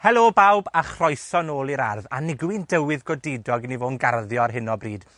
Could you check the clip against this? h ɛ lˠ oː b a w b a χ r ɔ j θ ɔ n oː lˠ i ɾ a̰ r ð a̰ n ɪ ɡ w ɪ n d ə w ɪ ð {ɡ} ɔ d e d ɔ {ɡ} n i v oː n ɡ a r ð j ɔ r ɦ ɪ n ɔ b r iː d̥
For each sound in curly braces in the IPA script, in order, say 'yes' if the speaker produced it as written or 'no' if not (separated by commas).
yes, yes